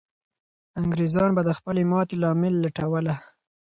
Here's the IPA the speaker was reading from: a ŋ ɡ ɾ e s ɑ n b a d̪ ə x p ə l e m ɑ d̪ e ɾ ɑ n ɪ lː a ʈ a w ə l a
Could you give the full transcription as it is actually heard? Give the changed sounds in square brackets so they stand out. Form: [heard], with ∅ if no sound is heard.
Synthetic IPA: a ŋ ɡ ɾ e [z] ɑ n b a d̪ ə x p ə l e m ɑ [t̪] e [l] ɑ [m] ɪ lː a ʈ a w ə l a